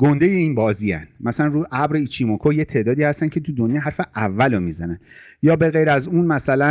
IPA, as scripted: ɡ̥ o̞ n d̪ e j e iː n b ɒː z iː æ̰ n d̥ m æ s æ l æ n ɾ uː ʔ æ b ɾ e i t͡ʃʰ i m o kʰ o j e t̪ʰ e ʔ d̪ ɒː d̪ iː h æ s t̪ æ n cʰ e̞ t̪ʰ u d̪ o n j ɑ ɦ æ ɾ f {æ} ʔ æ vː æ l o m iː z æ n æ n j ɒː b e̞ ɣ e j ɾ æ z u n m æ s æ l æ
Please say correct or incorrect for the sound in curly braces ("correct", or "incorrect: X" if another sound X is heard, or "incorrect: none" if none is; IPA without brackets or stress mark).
incorrect: e